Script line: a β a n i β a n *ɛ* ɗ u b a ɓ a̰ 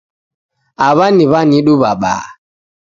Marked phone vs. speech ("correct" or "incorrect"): incorrect